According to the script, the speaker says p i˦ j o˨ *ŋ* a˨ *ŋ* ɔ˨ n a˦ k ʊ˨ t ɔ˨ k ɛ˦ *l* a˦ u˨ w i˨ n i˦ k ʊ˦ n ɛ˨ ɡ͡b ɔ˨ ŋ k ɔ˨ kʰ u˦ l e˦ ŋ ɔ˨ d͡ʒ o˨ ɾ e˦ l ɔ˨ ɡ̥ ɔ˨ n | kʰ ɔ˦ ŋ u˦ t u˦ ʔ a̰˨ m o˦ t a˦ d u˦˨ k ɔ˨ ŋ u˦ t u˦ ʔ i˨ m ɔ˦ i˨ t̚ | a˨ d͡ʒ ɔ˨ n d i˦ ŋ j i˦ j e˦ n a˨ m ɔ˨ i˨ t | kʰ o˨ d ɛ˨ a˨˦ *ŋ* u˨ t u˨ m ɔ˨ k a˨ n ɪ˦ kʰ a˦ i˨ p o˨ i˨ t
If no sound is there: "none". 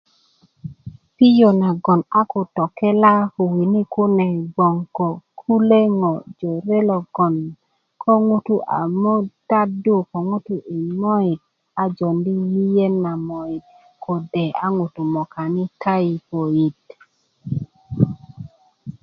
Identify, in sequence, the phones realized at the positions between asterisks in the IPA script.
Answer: n, ɡ, l, ŋ

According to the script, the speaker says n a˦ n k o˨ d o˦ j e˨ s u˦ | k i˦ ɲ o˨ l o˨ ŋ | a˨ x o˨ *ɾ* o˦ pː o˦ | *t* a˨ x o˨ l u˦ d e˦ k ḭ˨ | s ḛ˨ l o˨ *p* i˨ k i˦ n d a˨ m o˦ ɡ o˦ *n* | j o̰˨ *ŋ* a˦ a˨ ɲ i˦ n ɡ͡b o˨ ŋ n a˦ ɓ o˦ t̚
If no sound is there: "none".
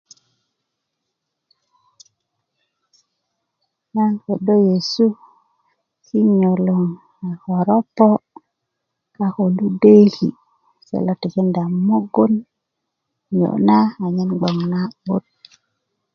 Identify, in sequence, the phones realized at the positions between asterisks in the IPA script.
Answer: ɾ, k, t, n, n

